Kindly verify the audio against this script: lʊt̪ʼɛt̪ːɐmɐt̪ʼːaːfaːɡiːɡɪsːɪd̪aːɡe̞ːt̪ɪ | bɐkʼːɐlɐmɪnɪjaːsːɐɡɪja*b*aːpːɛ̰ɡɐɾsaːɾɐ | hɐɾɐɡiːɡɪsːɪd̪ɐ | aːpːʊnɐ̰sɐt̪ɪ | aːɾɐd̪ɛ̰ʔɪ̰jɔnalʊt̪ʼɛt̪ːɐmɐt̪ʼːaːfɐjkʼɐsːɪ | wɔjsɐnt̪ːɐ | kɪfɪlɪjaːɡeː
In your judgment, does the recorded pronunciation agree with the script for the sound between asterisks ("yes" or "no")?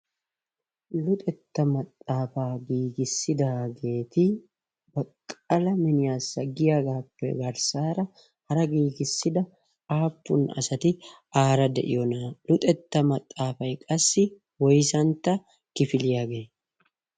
no